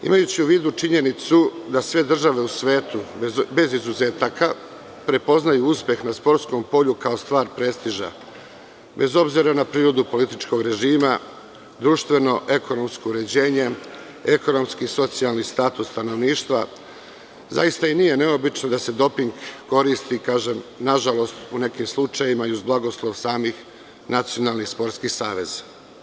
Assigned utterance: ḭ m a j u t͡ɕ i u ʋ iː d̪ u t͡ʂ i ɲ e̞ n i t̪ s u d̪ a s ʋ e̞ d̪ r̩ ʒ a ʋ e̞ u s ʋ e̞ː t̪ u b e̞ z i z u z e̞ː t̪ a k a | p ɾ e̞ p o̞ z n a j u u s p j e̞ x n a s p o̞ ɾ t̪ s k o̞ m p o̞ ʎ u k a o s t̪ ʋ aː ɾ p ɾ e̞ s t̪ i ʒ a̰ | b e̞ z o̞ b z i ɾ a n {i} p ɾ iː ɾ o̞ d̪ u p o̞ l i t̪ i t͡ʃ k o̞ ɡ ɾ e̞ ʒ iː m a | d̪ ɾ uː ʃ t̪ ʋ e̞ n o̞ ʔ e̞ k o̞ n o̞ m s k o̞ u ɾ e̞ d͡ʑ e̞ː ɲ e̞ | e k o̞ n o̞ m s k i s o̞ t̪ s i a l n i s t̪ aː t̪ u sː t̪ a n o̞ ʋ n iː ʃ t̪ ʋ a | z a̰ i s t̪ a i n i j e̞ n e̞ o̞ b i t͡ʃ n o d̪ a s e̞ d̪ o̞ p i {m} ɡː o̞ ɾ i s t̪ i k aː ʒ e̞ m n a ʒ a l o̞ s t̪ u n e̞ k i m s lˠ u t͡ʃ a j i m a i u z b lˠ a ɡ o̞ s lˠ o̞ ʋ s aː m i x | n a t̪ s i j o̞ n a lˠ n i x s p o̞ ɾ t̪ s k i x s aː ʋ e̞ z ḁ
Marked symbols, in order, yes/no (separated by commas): no, no